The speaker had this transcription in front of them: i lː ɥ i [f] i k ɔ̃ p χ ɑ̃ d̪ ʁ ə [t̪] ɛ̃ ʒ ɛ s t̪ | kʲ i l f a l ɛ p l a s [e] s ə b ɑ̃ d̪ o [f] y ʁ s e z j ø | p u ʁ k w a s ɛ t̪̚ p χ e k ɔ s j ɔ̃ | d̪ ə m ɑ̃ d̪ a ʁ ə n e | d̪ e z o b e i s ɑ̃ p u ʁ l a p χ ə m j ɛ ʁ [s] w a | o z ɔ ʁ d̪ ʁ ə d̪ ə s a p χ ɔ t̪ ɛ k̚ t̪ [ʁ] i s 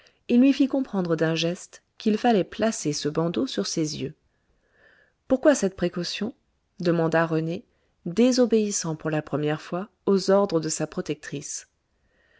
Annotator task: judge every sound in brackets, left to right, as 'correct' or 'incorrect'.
correct, incorrect, correct, incorrect, incorrect, incorrect

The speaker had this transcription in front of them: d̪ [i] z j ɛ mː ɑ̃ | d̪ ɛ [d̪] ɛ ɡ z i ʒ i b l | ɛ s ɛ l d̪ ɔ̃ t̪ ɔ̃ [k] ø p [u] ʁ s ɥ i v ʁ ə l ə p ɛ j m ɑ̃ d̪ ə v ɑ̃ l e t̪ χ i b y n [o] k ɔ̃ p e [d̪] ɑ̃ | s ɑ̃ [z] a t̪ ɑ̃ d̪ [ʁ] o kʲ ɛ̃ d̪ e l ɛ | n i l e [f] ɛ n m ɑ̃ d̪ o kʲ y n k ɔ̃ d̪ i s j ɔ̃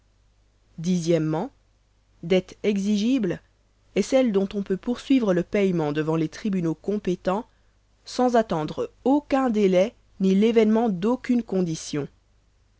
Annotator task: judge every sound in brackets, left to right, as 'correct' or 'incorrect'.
correct, incorrect, incorrect, correct, correct, incorrect, correct, correct, incorrect

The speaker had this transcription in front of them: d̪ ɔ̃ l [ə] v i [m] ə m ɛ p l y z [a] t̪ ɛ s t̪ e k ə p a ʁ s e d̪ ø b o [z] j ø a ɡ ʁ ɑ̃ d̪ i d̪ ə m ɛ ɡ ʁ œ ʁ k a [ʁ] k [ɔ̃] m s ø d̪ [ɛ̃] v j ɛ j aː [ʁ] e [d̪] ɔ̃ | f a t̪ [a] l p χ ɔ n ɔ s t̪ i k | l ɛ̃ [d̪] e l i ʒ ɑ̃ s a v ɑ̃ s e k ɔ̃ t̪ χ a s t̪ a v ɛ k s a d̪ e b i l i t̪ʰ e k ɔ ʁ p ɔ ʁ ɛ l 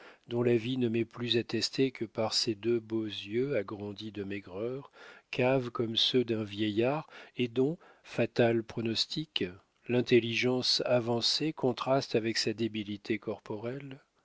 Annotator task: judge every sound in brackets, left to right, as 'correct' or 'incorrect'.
incorrect, incorrect, correct, correct, incorrect, incorrect, correct, correct, correct, correct, incorrect

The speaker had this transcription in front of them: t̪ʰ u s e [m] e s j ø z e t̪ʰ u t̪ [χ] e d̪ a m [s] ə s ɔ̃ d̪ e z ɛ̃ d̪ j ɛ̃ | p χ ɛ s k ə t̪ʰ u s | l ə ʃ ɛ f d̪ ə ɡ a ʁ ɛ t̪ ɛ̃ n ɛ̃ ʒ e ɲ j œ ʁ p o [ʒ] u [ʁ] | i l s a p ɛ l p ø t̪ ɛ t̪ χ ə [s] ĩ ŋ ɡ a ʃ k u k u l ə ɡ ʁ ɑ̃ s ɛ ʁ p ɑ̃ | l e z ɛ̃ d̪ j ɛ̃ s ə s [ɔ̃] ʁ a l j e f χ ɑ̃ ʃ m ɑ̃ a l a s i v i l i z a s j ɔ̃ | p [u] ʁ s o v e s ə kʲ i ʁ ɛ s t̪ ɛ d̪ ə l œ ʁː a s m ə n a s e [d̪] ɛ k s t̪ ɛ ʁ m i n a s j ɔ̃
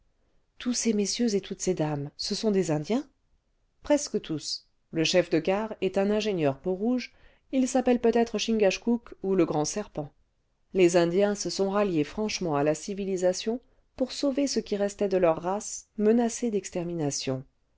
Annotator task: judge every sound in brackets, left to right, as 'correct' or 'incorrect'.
correct, incorrect, correct, incorrect, incorrect, incorrect, correct, correct, correct

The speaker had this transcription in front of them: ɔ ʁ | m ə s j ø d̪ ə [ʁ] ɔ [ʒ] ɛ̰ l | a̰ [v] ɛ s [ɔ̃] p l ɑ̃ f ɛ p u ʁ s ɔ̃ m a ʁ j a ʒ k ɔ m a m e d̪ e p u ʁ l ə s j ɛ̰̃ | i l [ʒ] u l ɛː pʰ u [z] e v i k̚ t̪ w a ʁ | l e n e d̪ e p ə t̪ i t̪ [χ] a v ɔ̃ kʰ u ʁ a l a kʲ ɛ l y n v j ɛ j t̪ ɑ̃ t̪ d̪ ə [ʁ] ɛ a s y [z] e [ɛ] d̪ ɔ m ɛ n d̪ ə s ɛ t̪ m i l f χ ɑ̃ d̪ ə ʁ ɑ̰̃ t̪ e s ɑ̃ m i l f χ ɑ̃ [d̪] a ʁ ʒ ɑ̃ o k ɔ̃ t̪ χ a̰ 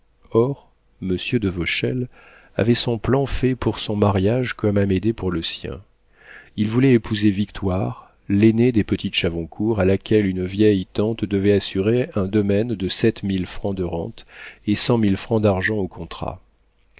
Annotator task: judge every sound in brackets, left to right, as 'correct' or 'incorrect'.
incorrect, incorrect, correct, correct, incorrect, correct, incorrect, incorrect, incorrect, incorrect, correct

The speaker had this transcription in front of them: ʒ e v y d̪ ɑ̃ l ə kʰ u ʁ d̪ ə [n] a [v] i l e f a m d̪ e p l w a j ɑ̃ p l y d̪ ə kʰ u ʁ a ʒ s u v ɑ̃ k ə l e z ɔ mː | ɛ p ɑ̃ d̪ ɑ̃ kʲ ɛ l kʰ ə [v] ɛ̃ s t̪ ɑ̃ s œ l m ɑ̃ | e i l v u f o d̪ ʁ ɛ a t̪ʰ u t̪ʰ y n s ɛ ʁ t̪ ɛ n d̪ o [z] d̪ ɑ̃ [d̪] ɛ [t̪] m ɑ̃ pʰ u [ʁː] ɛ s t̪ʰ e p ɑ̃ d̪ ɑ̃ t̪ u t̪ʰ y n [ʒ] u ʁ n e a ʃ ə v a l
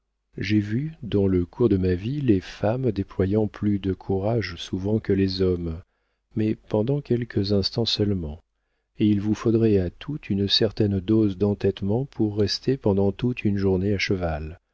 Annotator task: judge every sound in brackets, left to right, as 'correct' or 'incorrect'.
incorrect, correct, incorrect, correct, incorrect, correct, correct, correct

